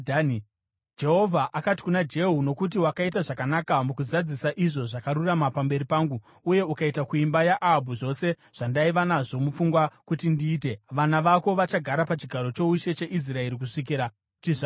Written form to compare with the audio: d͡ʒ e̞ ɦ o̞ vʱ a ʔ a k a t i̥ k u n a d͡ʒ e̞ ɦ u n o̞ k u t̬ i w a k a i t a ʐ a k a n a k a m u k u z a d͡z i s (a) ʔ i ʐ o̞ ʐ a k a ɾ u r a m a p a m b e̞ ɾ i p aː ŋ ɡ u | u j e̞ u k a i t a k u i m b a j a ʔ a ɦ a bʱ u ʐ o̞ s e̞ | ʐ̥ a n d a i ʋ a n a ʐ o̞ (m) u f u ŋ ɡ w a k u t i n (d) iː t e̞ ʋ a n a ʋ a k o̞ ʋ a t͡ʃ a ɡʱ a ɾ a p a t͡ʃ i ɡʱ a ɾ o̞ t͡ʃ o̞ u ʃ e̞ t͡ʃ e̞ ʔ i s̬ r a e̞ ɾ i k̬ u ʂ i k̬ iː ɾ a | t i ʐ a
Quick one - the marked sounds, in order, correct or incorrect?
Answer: correct, correct, correct

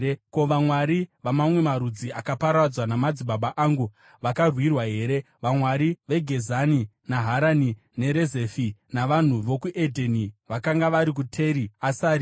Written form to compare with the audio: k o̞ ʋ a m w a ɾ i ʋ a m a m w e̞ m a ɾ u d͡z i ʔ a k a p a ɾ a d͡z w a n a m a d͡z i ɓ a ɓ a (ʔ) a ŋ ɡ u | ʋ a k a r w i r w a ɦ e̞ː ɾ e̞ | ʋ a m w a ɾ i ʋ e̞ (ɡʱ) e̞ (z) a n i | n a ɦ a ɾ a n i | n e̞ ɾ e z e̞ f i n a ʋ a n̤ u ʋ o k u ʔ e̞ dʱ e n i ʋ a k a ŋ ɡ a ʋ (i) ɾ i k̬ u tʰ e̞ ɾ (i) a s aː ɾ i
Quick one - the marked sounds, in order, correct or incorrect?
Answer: correct, correct, correct, incorrect: a, correct

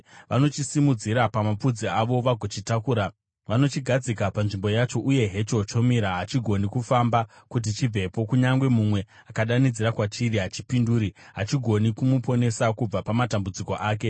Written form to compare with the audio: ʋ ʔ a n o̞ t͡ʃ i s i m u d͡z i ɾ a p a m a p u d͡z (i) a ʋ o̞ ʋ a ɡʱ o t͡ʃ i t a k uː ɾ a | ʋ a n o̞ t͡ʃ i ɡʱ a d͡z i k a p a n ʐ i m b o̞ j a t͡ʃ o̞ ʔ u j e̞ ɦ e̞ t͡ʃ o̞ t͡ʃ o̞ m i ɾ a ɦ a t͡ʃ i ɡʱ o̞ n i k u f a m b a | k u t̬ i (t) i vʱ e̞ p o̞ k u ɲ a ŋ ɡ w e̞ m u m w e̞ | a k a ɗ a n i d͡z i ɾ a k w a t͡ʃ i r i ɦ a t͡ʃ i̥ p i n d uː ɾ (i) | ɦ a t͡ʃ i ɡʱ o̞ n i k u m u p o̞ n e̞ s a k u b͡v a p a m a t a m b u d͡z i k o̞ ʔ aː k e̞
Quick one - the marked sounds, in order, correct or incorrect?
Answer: correct, incorrect: t͡ʃ, correct

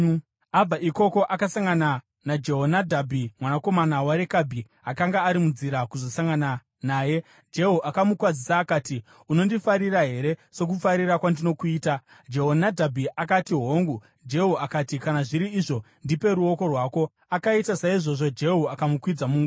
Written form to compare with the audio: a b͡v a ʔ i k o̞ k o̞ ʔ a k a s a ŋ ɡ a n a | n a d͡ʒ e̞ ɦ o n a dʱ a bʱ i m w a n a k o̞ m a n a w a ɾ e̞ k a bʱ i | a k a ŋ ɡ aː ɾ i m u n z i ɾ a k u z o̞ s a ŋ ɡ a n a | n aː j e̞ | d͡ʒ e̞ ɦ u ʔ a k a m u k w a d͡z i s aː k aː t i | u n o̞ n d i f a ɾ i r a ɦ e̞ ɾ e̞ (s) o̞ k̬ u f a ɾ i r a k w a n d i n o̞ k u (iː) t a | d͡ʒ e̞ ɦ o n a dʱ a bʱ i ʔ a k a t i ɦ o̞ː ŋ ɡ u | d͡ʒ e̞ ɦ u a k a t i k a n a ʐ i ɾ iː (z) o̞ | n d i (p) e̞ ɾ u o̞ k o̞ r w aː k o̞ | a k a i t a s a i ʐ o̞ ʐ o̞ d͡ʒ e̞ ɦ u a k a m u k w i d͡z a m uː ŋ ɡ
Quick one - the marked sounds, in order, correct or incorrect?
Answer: correct, correct, incorrect: ʐ, correct

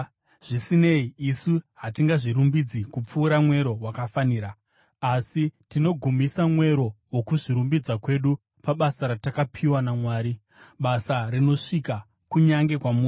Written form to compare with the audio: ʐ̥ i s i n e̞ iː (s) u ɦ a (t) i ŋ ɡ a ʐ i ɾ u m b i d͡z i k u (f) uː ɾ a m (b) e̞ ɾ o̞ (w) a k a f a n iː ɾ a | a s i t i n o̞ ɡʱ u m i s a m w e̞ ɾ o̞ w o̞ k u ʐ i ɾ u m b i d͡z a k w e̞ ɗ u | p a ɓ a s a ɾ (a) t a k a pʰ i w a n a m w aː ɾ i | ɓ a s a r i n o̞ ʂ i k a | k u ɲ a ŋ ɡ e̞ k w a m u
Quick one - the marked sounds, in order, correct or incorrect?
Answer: correct, correct, incorrect: p͡f, incorrect: w, correct, correct

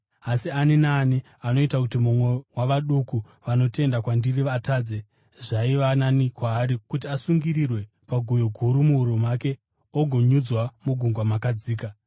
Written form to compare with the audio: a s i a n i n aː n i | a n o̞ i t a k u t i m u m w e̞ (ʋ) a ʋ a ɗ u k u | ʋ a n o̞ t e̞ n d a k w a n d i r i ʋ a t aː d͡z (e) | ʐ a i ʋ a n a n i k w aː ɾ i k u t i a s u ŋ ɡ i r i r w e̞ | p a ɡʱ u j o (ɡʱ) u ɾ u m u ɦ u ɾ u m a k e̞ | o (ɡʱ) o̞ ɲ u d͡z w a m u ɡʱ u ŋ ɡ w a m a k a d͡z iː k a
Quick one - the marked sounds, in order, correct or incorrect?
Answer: incorrect: w, correct, correct, correct

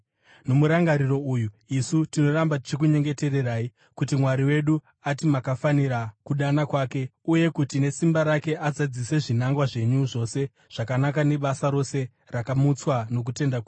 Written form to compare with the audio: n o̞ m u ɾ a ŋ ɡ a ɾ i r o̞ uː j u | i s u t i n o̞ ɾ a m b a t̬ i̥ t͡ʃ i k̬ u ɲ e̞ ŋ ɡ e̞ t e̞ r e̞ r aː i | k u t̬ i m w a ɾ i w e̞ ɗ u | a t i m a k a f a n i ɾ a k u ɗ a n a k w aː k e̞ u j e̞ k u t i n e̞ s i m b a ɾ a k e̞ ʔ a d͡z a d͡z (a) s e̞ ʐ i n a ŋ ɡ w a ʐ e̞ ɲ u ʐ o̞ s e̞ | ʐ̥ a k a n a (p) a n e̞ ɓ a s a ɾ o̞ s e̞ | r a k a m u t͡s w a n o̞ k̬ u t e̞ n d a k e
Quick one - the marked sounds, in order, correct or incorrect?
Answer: incorrect: i, incorrect: k

